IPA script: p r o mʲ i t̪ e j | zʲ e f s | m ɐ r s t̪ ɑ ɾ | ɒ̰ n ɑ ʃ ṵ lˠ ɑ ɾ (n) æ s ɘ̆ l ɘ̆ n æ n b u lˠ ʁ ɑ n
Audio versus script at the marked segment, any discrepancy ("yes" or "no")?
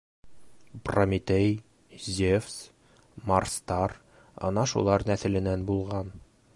no